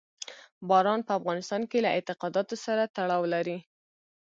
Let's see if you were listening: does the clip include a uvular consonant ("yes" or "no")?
yes